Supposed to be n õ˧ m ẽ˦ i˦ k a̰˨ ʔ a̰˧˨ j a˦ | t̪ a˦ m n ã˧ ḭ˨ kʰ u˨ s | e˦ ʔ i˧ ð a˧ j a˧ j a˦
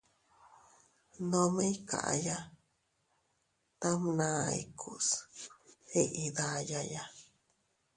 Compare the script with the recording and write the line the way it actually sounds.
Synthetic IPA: n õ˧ m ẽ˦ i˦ k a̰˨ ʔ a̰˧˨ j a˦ | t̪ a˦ m n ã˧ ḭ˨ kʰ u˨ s | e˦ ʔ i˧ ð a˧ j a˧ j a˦